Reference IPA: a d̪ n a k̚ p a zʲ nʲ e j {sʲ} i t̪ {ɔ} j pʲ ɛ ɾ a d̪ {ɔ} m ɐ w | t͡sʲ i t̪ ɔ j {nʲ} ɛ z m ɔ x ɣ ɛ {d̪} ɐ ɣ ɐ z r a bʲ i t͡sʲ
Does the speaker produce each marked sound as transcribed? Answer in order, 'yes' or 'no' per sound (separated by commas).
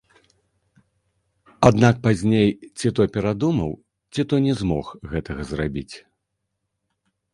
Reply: no, yes, no, yes, no